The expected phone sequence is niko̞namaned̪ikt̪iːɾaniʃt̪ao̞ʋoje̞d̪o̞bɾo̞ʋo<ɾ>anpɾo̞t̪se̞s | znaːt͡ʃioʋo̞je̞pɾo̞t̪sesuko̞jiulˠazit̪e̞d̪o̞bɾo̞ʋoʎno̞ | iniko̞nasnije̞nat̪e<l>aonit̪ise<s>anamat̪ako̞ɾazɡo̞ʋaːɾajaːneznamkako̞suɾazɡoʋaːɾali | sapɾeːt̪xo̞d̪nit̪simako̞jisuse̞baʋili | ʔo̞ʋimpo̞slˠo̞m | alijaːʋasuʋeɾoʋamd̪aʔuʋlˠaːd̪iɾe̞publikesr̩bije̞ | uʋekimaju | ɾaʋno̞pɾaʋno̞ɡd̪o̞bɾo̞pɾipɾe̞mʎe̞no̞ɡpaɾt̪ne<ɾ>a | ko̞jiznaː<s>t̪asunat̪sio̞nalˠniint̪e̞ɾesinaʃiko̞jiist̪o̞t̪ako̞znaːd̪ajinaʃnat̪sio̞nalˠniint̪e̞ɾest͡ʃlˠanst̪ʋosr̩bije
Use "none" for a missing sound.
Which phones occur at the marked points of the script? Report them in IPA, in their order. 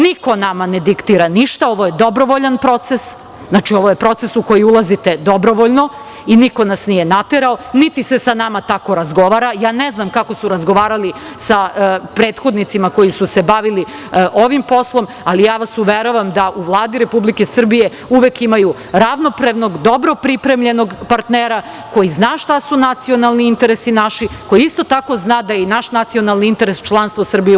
ʎ, ɾ, s, ɾ, ʃ

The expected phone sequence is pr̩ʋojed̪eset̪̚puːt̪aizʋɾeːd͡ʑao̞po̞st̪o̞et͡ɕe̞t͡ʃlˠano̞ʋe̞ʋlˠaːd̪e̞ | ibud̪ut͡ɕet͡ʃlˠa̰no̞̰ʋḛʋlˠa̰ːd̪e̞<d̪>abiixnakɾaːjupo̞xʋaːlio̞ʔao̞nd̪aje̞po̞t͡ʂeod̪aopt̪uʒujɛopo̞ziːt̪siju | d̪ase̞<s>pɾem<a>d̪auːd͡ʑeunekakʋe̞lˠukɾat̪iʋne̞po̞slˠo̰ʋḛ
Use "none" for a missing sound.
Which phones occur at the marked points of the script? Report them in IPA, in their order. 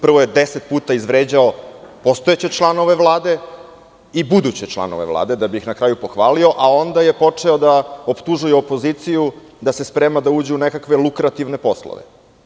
d̪, s, a

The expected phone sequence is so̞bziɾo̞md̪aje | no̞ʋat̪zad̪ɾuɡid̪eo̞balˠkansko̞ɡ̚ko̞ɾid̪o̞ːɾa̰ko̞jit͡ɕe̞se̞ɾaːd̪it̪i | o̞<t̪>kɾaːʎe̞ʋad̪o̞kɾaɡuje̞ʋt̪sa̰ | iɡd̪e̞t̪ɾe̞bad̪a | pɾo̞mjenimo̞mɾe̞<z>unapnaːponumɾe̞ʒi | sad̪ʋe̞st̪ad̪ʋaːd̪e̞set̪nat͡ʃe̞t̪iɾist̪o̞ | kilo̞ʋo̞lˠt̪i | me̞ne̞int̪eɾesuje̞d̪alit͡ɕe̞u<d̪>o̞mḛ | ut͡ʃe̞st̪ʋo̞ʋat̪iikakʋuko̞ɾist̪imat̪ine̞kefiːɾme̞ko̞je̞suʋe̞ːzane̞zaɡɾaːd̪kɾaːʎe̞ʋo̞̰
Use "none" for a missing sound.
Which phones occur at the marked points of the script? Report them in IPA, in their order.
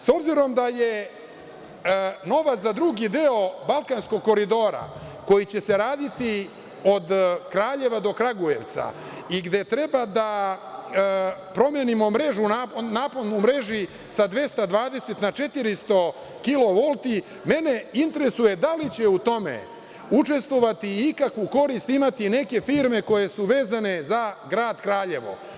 d̪, ʒ, t̪

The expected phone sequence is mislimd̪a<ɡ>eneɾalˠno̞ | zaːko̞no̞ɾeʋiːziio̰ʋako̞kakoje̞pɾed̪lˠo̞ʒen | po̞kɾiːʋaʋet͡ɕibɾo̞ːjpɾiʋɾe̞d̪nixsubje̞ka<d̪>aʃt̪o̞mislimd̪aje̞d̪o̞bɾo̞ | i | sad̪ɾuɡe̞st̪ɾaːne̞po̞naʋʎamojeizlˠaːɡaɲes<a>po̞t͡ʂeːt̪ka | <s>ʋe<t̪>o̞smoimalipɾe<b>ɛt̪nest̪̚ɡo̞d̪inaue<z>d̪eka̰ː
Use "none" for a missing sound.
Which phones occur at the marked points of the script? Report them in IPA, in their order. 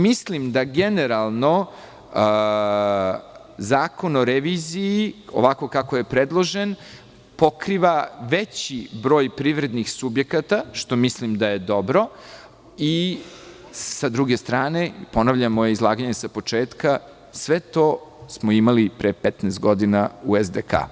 ɡ, t̪, a, s, t̪, p, z

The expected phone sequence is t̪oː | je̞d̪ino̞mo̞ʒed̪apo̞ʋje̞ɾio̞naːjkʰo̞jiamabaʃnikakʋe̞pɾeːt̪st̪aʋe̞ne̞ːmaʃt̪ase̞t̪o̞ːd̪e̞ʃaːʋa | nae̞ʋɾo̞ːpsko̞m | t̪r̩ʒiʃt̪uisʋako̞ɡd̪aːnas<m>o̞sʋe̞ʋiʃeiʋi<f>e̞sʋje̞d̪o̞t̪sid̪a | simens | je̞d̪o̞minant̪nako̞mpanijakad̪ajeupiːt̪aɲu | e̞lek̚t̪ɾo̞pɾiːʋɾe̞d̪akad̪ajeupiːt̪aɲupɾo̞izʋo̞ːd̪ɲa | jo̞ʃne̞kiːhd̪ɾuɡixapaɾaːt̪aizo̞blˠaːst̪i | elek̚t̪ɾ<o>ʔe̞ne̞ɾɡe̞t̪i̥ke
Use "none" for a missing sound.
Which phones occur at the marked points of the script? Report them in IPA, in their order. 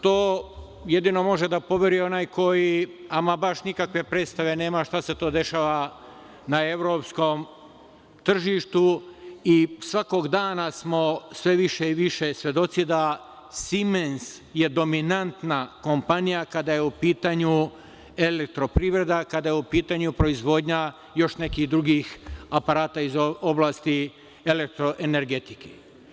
m, ʃ, o

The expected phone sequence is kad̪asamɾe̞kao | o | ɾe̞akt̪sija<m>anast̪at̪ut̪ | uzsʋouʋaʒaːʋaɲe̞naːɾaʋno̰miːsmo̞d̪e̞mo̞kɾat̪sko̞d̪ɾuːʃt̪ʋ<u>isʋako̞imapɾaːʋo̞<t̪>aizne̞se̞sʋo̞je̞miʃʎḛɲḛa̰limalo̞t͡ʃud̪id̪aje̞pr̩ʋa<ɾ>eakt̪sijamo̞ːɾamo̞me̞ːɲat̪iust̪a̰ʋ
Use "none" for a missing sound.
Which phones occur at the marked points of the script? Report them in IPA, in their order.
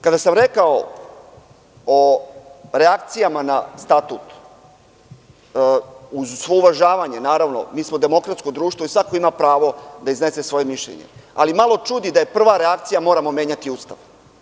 m, o, d̪, ɾ

